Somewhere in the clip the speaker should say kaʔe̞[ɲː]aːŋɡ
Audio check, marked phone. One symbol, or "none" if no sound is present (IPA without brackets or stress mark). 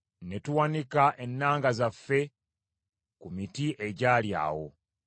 nː